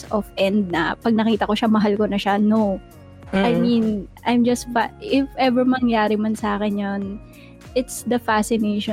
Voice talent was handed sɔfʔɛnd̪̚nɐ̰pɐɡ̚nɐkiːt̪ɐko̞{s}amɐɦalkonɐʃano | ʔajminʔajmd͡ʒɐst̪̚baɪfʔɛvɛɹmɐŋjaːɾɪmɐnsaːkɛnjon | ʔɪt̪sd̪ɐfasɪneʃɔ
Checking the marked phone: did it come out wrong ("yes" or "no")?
yes